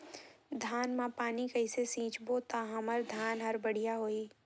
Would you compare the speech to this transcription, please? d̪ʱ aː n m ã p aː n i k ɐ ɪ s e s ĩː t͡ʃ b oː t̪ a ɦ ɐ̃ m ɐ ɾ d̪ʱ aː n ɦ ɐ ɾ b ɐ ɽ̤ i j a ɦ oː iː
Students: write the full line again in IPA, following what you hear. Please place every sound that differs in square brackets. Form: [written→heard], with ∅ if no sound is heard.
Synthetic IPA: d̪ʱ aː n m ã p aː n i k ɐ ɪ s e s ĩː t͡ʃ b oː t̪ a ɦ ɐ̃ m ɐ ɾ d̪ʱ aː n ɦ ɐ ɾ b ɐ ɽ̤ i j a ɦ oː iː

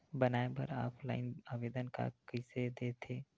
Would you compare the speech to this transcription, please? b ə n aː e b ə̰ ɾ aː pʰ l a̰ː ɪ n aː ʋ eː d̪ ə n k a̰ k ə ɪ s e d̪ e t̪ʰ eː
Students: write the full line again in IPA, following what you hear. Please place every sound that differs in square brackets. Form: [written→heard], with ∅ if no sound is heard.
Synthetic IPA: b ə n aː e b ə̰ ɾ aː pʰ l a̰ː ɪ n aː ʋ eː d̪ ə n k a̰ k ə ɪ s e d̪ e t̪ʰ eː

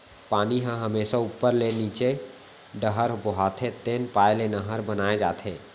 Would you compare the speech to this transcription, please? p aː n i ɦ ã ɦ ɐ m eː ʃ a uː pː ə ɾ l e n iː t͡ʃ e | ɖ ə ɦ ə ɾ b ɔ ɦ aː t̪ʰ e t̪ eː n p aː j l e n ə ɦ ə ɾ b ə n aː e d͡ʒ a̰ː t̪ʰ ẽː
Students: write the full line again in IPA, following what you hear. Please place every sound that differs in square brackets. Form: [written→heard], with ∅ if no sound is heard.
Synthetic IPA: p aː n i ɦ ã ɦ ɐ m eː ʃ a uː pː ə ɾ l e n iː t͡ʃ e | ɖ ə ɦ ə ɾ b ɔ ɦ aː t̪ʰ e t̪ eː n p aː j l e n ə ɦ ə ɾ b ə n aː e d͡ʒ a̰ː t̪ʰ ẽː

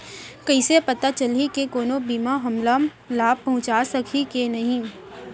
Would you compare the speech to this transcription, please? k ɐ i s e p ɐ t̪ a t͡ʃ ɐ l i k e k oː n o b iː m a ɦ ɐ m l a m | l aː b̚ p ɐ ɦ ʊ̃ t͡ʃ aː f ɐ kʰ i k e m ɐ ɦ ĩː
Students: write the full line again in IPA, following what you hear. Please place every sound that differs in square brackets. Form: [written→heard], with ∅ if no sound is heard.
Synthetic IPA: k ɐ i s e p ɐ t̪ a t͡ʃ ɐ l i k e k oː n o b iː m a ɦ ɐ m l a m | l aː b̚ p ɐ ɦ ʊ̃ t͡ʃ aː [f→s] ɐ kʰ i k e [m→n] ɐ ɦ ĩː

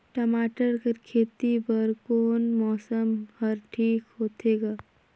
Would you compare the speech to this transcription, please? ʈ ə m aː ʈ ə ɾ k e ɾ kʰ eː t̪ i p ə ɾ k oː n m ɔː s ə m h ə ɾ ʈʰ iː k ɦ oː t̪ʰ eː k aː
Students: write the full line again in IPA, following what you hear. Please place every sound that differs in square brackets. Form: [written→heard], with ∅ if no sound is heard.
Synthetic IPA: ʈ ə m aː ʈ ə ɾ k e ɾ kʰ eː t̪ i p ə ɾ k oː n m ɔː s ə m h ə ɾ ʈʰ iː k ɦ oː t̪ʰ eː [k→ɡ] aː

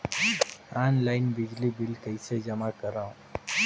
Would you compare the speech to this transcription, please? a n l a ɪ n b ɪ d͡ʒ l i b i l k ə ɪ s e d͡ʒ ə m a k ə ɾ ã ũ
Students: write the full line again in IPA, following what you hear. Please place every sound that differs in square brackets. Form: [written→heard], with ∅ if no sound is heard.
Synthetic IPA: a n l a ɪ n b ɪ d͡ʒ l i b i l k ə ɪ s e d͡ʒ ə m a k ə ɾ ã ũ

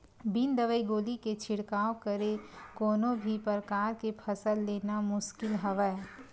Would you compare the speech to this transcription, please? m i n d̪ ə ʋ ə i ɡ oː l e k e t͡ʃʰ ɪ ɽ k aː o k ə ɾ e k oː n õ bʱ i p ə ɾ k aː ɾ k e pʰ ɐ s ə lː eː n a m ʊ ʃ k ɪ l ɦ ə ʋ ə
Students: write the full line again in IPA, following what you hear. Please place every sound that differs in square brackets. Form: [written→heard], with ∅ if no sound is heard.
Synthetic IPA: [m→b] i n d̪ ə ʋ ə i ɡ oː l [e→i] k e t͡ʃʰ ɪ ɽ k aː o k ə ɾ e k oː n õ bʱ i p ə ɾ k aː ɾ k e pʰ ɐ s ə lː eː n a m ʊ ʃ k ɪ l ɦ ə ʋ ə

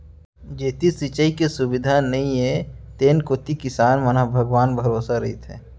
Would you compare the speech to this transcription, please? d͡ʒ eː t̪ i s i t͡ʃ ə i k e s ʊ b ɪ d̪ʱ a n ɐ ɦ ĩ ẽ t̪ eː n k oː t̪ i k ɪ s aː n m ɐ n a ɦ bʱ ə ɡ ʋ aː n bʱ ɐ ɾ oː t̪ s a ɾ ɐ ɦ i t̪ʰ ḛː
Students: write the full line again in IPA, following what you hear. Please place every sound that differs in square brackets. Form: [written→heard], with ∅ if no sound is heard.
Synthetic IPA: d͡ʒ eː t̪ i s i t͡ʃ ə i k e s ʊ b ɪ d̪ʱ a n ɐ ɦ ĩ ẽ t̪ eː n k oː t̪ i k ɪ s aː n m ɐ n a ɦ bʱ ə ɡ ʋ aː n bʱ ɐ ɾ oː [t̪→∅] s a ɾ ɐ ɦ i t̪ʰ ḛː

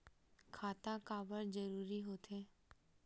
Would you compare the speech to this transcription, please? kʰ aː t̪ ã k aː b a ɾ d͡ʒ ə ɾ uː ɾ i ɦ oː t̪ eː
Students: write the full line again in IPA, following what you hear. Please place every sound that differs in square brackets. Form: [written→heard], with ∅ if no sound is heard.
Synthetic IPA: kʰ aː t̪ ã k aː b [a→ə] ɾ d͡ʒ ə ɾ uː ɾ i ɦ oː t̪ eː

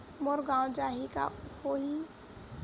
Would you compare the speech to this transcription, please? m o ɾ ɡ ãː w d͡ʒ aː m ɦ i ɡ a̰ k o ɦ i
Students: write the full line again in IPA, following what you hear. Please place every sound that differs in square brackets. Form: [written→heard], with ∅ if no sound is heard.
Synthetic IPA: m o ɾ ɡ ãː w d͡ʒ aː [m→∅] ɦ i [ɡ→k] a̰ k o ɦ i

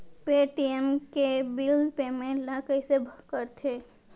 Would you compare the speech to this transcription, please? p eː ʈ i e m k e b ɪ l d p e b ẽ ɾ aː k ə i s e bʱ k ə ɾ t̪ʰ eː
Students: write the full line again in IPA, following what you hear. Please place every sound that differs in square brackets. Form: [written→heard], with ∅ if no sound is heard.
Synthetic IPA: p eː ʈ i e m k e b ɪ l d p e [b→m] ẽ [ɾ→l] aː k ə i s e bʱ k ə ɾ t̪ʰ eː

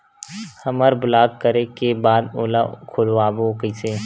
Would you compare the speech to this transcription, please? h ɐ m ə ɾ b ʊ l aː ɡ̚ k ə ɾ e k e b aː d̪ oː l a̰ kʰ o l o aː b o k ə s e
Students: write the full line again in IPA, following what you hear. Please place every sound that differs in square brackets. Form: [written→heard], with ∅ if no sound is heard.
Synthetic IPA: h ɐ m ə ɾ b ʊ l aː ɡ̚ k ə ɾ e k e b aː d̪ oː l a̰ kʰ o l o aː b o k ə s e

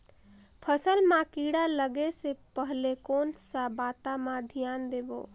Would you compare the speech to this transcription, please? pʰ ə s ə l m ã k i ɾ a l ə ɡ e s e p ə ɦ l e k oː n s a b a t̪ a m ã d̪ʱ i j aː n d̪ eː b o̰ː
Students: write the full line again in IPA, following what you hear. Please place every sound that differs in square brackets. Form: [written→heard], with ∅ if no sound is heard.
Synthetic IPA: pʰ ə s ə l m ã k i [ɾ→ɽ] a l ə ɡ e s e p ə ɦ l e k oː n s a b a t̪ a m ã d̪ʱ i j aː n d̪ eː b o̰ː

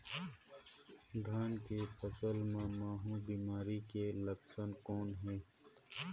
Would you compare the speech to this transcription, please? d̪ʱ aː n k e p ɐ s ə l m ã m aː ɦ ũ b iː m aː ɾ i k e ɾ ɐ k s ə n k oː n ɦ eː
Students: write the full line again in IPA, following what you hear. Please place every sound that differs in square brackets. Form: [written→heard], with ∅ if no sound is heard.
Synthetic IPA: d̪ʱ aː n k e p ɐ s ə l m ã m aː ɦ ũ b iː m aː ɾ i k e [ɾ→l] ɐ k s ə n k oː n ɦ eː

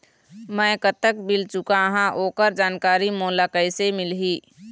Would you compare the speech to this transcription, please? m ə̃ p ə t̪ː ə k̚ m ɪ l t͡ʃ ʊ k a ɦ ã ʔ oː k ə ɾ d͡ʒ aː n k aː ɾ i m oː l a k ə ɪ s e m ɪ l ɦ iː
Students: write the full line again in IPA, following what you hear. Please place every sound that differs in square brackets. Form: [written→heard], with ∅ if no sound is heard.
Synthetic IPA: m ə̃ [p→k] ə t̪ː ə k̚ [m→b] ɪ l t͡ʃ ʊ k a ɦ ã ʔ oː k ə ɾ d͡ʒ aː n k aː ɾ i m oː l a k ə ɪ s e m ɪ l ɦ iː

